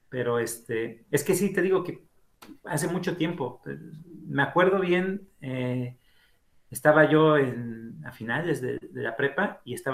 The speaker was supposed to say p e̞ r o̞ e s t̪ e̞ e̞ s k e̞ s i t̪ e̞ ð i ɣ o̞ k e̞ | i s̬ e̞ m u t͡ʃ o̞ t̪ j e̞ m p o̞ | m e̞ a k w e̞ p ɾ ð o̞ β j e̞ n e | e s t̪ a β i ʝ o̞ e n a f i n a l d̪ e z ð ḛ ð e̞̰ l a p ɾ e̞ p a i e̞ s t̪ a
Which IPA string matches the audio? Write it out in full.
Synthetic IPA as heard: p e̞ ɾ o̞ e s t̪ e̞ e̞ s k e̞ s i t̪ e̞ ð i ɣ o̞ k e̞ | a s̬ e̞ m u t͡ʃ o̞ t̪ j e̞ m p o̞ | m e̞ a k w e̞ ɾ ð o̞ β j e̞ n e | e s t̪ a β a ʝ o̞ e n a f i n a l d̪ e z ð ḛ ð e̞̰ l a p ɾ e̞ p a i e̞ s t̪ a